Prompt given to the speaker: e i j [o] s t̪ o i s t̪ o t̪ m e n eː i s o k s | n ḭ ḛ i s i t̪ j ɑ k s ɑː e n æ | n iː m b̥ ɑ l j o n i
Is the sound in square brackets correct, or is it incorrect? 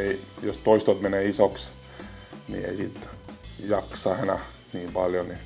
correct